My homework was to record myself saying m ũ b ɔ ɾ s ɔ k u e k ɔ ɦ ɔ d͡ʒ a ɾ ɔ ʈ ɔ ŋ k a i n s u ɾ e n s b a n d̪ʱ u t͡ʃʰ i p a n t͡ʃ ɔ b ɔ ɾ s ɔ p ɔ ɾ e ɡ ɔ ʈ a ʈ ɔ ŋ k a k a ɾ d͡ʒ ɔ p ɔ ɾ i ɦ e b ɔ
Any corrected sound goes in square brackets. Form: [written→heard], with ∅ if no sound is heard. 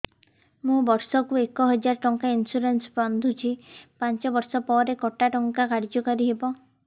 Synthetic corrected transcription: m ũ b ɔ ɾ s ɔ k u e k ɔ ɦ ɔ d͡ʒ a ɾ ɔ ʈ ɔ ŋ k a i n s u ɾ e n s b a n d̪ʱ u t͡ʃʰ i p a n t͡ʃ ɔ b ɔ ɾ s ɔ p ɔ ɾ e [ɡ→k] ɔ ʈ a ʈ ɔ ŋ k a k a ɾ d͡ʒ ɔ [p→k] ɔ ɾ i ɦ e b ɔ